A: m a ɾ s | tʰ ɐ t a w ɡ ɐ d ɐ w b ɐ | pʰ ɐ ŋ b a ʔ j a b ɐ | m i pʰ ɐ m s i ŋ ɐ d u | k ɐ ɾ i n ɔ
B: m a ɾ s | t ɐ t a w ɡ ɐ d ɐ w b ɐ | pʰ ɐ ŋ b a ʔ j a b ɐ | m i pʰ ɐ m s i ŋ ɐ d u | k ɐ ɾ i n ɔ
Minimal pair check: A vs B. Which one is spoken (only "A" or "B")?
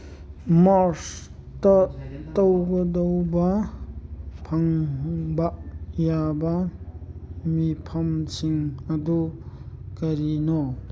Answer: B